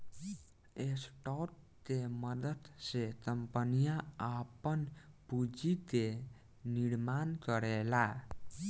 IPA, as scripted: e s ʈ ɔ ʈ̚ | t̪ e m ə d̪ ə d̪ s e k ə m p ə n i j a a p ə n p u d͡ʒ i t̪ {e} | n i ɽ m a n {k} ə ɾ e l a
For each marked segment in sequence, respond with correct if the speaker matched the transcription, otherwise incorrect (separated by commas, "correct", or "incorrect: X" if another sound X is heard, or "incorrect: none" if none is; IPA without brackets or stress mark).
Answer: correct, correct